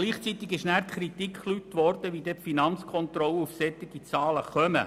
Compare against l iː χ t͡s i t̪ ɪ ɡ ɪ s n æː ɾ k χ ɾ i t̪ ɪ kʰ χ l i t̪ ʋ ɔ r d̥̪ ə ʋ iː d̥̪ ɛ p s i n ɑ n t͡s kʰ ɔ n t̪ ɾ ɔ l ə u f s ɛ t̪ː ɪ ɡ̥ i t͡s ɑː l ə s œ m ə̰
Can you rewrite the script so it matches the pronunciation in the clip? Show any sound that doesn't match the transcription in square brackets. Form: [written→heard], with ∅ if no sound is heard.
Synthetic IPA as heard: l iː χ t͡s i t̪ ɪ ɡ ɪ [s→ʃ] n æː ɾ k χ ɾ i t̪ [ɪ→i] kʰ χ l [i→y] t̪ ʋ ɔ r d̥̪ ə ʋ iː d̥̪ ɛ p [s→f] i n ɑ n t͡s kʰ ɔ n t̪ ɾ ɔ l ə u f s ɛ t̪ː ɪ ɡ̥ i t͡s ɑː l ə [s→χ] œ m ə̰

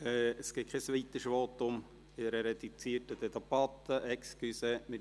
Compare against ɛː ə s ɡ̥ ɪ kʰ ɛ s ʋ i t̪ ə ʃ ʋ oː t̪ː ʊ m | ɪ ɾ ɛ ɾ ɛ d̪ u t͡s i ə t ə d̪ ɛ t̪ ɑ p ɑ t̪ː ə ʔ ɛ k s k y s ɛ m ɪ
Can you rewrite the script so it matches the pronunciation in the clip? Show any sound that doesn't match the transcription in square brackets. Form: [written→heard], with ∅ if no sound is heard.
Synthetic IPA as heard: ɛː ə s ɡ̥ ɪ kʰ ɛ s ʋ i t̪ ə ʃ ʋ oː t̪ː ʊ m | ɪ ɾ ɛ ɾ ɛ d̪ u t͡s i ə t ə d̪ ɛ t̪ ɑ p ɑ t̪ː ə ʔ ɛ k s k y s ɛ m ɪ

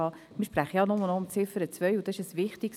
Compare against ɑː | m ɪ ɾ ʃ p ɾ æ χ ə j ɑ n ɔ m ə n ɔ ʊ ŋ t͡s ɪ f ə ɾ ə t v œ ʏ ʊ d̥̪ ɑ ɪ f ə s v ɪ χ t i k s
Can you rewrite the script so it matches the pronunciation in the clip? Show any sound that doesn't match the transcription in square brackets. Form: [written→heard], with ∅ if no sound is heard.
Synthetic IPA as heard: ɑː | m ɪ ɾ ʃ p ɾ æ χ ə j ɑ n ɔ m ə n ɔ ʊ [ŋ→m] t͡s ɪ f ə ɾ ə [t→t͡s] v œ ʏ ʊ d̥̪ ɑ ɪ [f→ʃ] ə s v ɪ χ t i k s

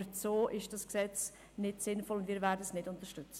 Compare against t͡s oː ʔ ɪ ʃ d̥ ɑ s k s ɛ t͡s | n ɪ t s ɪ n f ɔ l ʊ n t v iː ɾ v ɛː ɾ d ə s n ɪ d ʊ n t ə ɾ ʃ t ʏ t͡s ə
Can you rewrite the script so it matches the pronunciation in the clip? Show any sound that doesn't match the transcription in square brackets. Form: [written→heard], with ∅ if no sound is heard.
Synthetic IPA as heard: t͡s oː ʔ ɪ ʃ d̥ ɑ s k s ɛ t͡s | n ɪ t s ɪ n f ɔ l ʊ n [t→d] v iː ɾ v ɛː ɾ d ə s n ɪ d ʊ n t ə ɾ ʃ t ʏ t͡s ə

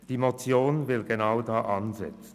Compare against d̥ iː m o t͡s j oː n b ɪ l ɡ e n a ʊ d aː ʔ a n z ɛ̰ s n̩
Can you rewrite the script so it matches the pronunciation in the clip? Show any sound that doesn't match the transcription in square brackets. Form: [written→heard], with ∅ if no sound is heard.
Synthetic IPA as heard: d̥ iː m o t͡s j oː n [b→v] ɪ l ɡ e n a ʊ d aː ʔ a n z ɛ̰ [s→t͡s] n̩

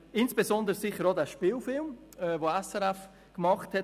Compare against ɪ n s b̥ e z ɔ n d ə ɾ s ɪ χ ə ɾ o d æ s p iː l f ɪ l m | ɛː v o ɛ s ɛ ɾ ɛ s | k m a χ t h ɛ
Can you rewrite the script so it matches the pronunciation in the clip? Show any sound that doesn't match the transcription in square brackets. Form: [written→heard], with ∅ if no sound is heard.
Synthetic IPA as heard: ɪ n s b̥ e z ɔ n d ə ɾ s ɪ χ ə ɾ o d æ [s→ʃ] p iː l f ɪ l m | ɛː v o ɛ s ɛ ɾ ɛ [s→f] | k m [a→ɑ] χ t h ɛ

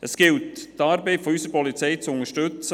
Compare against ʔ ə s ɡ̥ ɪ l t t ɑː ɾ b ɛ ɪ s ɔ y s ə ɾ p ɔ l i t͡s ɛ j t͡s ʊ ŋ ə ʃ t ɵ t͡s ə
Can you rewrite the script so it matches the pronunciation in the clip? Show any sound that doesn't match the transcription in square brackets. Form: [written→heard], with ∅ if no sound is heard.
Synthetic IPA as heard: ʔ ə s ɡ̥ ɪ l t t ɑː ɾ b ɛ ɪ [s→f] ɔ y s ə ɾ p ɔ l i t͡s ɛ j t͡s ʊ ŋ ə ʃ t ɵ t͡s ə

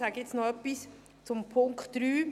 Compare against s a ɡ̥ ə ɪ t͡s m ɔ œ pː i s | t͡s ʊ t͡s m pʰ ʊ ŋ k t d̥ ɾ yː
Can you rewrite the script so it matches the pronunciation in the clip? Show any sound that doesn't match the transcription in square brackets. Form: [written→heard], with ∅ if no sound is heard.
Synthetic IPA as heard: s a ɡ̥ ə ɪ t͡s [m→n] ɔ œ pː i s | t͡s ʊ [t͡s→∅] m pʰ ʊ ŋ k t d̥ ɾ yː

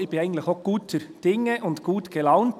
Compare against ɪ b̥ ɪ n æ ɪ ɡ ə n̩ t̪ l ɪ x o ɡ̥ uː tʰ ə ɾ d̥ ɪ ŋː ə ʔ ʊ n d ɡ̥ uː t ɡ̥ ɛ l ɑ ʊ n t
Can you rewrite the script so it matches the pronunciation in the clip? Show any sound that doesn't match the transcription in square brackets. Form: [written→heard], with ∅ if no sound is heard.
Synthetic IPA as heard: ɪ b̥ ɪ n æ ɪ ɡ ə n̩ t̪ l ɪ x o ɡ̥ uː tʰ ə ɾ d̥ ɪ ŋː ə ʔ ʊ n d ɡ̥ uː t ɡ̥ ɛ l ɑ ʊ n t

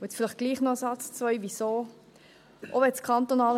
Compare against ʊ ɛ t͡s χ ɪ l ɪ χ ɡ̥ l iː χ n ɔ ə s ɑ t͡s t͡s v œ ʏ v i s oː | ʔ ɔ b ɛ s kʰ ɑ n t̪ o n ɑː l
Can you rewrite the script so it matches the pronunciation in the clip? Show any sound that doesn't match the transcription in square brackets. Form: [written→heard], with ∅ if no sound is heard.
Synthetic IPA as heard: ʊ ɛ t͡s [χ→f] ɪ l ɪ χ ɡ̥ l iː χ n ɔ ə s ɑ t͡s t͡s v œ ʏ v i s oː | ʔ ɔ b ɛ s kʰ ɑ n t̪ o n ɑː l

